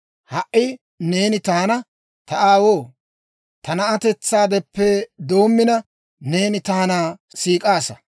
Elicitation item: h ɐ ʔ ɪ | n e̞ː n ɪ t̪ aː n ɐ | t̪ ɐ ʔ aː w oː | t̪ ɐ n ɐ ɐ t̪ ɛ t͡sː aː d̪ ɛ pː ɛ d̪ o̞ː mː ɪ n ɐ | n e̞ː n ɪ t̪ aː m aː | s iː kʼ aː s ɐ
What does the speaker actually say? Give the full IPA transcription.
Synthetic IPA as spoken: h ɐ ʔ ɪ | n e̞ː n ɪ t̪ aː n ɐ | t̪ ɐ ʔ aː w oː | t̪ ɐ n ɐ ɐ t̪ ɛ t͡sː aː d̪ ɛ pː ɛ d̪ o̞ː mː ɪ n ɐ | n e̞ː n ɪ t̪ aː n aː | s iː kʼ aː s ɐ